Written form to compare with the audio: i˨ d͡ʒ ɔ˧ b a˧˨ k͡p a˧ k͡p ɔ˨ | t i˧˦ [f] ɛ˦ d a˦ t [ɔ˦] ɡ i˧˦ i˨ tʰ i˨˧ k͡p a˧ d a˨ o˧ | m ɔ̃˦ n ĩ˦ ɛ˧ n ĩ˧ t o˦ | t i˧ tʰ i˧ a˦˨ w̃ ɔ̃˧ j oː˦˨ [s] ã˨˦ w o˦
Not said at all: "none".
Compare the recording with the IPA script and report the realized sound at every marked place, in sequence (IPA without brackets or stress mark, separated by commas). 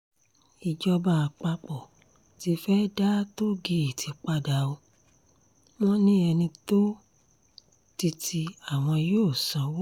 f, o˦, s